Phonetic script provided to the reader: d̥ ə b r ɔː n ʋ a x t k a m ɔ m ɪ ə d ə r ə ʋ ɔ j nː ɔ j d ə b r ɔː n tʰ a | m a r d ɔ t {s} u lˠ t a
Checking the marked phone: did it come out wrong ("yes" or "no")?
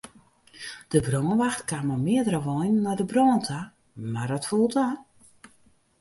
yes